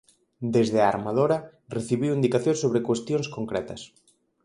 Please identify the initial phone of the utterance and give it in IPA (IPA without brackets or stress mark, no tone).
d̪